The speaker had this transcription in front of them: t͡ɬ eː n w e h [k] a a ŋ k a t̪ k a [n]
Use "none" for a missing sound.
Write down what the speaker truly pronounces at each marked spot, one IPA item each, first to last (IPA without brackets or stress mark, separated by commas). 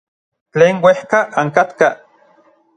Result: k, none